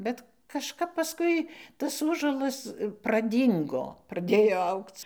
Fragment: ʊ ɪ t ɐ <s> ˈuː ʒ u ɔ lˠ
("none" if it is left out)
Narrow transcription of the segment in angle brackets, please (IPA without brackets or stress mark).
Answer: s